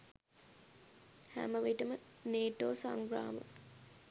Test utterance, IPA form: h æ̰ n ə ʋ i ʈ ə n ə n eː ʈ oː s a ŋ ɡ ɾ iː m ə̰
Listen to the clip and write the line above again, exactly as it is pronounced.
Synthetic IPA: h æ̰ m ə ʋ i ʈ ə m ə n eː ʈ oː s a ŋ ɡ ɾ aː m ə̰

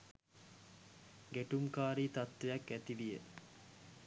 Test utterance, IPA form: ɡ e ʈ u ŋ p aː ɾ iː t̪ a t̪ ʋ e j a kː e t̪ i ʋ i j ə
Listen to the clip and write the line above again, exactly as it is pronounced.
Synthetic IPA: ɡ e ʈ u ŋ k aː ɾ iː t̪ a t̪ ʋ e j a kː æ t̪ i ʋ i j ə

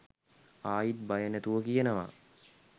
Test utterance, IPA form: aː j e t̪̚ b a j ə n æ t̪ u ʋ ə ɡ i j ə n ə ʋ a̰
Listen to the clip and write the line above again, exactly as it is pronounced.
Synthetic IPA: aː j i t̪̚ b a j ə n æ t̪ u ʋ ə k i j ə n ə ʋ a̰

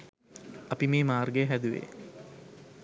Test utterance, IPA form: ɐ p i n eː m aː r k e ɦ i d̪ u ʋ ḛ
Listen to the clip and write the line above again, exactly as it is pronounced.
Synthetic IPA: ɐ p i m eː m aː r ɡ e ɦ æ d̪ u ʋ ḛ

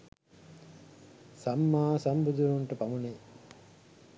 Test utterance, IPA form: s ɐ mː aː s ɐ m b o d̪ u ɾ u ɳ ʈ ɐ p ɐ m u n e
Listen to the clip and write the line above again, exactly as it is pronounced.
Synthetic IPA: s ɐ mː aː s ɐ m b u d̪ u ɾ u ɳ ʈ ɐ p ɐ m u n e

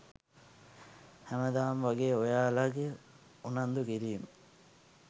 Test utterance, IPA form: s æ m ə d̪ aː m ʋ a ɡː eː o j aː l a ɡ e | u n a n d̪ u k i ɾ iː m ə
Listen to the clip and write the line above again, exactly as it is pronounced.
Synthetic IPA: h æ m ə d̪ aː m ʋ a ɡ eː o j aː l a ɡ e | u n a n d̪ u k i ɾ iː m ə

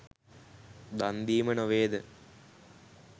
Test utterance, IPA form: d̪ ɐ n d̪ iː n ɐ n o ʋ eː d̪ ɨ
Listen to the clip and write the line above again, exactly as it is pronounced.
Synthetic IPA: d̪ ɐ n d̪ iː m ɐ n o ʋ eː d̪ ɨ

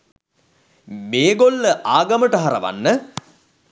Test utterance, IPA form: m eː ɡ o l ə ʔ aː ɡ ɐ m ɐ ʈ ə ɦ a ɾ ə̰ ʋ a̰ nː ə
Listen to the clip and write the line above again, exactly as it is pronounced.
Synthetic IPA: m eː ɡ o lː ə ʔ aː ɡ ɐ m ə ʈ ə ɦ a ɾ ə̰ ʋ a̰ nː ə

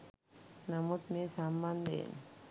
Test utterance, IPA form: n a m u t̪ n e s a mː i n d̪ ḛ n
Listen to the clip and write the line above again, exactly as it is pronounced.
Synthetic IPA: n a m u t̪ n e s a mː a n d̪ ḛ n

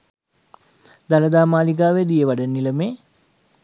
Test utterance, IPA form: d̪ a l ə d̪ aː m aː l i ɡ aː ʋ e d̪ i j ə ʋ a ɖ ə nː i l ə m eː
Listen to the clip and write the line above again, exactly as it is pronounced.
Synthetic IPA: d̪ a l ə d̪ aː m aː l i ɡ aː ʋ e d̪ i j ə ʋ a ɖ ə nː i l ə m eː

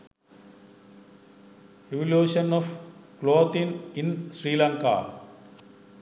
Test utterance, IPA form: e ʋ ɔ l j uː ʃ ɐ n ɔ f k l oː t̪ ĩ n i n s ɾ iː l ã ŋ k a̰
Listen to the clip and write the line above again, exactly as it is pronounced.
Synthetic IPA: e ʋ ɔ l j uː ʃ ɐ n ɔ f k l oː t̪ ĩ n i n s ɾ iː l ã ŋ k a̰

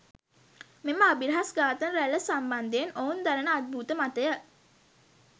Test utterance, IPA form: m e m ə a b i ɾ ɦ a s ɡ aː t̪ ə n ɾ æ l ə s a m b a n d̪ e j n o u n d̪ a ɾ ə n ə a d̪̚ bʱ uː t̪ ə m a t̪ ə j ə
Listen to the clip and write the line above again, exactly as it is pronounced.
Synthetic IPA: m e m ə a b i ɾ ɦ a s ɡ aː t̪ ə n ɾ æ l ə s a m b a n d̪ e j n o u n d̪ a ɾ ə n ə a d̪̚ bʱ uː t̪ ə m a t̪ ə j ə

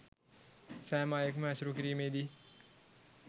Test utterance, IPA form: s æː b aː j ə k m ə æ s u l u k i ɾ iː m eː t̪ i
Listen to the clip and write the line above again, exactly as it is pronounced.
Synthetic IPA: s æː m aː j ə k m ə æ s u ɾ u k i ɾ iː m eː d̪ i

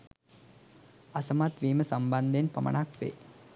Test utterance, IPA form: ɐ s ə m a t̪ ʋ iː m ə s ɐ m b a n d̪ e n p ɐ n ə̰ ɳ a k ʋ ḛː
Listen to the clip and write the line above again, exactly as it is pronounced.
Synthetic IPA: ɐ s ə m a t̪ ʋ iː m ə s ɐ m b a n d̪ e n p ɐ m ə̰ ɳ a k ʋ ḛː

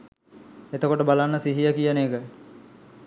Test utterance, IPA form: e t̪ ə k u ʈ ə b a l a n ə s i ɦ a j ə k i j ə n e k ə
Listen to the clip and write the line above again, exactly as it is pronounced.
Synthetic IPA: e t̪ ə k o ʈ ə b a l a nː ə s i ɦ i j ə k i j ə n e k ə

